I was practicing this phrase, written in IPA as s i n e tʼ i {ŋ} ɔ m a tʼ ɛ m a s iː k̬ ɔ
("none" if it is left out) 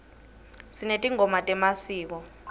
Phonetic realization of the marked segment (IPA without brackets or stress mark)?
ŋ